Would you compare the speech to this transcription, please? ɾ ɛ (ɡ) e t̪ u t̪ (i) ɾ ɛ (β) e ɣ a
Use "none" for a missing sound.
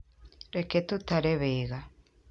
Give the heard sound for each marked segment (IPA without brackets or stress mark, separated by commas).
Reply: k, a, β